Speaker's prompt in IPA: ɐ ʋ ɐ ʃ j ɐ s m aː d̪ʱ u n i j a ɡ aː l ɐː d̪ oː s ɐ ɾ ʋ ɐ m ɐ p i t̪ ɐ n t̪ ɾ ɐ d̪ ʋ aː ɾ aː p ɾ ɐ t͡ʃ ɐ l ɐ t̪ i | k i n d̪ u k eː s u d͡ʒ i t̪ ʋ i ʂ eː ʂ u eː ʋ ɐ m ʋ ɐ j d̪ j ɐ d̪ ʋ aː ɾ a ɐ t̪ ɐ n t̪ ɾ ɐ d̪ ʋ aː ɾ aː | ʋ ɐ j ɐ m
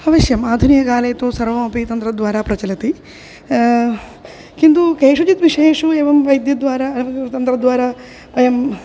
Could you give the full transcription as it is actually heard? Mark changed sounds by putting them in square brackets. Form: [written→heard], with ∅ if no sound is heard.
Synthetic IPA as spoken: ɐ ʋ ɐ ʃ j ɐ [s→∅] m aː d̪ʱ u n i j [a→ɐ] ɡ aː l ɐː [d̪→t̪] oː s ɐ ɾ ʋ ɐ m ɐ p i t̪ ɐ n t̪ ɾ ɐ d̪ ʋ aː ɾ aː p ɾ ɐ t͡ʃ ɐ l ɐ t̪ i | k i n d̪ u k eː [s→ʂ] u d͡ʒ i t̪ ʋ i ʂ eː ʂ u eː ʋ ɐ m ʋ ɐ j d̪ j ɐ d̪ ʋ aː ɾ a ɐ t̪ ɐ n t̪ ɾ ɐ d̪ ʋ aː ɾ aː | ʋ ɐ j ɐ m